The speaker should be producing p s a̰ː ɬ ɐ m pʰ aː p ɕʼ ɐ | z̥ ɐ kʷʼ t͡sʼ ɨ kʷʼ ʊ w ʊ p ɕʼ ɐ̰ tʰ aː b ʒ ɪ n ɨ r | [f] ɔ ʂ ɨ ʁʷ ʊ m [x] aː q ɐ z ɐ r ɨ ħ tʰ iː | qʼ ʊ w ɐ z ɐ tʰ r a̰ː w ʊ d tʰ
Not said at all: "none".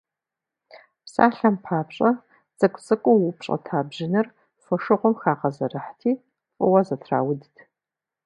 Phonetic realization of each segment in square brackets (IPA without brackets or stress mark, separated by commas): f, x